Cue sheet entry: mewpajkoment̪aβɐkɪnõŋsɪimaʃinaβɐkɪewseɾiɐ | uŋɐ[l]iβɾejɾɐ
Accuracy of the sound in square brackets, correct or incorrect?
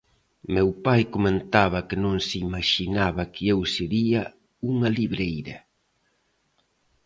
correct